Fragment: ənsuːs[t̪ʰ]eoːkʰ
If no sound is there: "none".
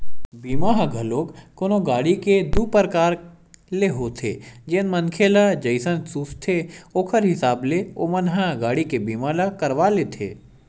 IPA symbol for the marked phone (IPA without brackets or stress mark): t̪ʰ